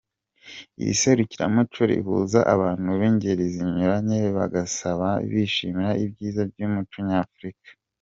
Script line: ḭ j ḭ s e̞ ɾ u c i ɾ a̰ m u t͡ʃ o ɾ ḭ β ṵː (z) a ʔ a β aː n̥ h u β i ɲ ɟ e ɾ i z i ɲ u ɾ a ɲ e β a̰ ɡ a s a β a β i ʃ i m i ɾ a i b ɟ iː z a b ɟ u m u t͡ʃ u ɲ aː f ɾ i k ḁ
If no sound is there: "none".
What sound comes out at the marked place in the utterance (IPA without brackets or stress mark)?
z